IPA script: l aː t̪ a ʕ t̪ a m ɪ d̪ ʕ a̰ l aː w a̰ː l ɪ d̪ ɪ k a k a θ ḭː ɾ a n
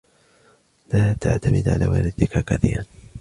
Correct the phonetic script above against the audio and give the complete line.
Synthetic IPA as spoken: l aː t̪ a ʕ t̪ a m ɪ d̪ ʕ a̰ l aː w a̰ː l ɪ d̪ ɪ k a k a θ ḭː ɾ a n